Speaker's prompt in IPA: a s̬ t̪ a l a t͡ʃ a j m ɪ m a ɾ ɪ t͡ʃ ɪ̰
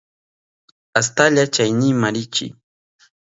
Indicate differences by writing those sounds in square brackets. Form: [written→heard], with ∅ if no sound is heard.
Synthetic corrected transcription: a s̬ t̪ a [l→ʎ] a t͡ʃ a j [m→n] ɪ m a ɾ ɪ t͡ʃ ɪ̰